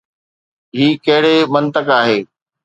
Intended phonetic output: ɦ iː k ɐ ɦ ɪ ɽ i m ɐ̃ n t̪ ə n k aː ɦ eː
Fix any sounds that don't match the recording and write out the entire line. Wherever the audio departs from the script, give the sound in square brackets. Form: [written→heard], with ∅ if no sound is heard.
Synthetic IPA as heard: ɦ iː k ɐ ɦ ɪ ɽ [i→e] m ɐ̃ n t̪ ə [n→∅] k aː ɦ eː